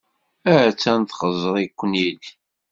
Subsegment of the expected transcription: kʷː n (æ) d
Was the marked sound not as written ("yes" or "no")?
yes